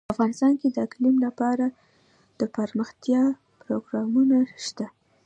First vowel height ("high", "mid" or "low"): low